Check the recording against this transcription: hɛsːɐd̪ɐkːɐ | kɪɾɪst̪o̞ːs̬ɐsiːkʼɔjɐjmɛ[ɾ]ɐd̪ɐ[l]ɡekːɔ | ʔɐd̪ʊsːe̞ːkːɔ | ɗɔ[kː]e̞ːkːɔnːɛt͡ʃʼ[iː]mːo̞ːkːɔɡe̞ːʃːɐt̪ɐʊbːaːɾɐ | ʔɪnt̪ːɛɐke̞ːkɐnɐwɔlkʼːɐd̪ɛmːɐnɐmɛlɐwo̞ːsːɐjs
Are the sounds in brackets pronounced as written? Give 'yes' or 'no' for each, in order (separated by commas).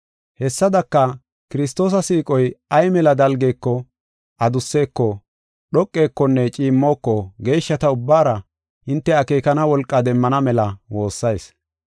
no, yes, no, yes